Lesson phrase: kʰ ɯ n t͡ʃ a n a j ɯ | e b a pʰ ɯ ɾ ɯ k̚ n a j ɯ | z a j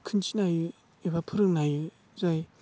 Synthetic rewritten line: kʰ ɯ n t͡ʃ i n a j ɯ | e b a pʰ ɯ ɾ ɯ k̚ n a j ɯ | z a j